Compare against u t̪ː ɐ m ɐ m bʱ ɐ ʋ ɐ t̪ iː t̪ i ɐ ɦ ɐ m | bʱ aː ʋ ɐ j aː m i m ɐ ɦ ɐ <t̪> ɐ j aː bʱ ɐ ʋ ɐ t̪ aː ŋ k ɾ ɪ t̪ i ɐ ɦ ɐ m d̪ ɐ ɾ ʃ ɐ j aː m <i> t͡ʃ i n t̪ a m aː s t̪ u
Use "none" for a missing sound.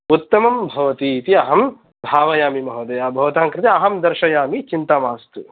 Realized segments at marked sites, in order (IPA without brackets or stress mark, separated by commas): d̪, i